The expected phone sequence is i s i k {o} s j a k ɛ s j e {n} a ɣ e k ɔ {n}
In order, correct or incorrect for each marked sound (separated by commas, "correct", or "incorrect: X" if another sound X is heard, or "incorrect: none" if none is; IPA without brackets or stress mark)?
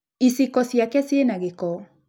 incorrect: ɔ, correct, incorrect: none